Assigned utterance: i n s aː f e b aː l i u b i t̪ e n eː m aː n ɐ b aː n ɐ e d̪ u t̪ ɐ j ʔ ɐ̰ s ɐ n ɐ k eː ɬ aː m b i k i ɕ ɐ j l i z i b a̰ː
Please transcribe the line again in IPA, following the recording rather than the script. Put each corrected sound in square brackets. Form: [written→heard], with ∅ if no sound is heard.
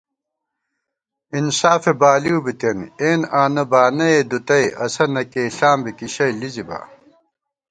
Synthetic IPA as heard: i n s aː f e b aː l i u b i t̪ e n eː [m→n] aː n ɐ b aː n ɐ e d̪ u t̪ ɐ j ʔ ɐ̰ s ɐ n ɐ k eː ɬ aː m b i k i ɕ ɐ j l i z i b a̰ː